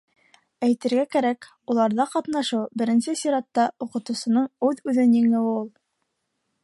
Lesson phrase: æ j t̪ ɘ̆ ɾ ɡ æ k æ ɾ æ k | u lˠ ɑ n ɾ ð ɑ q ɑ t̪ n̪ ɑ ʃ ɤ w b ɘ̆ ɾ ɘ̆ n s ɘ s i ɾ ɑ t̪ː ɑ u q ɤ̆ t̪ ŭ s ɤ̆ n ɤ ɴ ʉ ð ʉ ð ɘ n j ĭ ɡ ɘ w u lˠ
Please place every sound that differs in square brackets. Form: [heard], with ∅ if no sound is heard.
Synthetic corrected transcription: æ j t̪ ɘ̆ ɾ ɡ æ k æ ɾ æ k | u lˠ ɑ [∅] ɾ ð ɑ q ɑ t̪ n̪ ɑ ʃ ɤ w b ɘ̆ ɾ ɘ̆ n s ɘ s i ɾ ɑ t̪ː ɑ u q ɤ̆ t̪ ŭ s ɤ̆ n ɤ ɴ ʉ ð ʉ ð ɘ n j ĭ [ŋ] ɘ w u lˠ